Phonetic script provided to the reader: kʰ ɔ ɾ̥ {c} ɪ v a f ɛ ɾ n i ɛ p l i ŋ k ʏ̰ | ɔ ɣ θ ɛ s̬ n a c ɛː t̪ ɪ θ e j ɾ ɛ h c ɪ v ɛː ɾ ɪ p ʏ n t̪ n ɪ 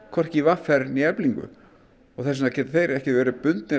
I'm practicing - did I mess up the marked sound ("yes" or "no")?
no